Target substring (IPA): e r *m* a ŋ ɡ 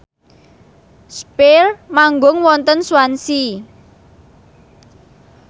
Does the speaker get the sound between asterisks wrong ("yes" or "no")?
no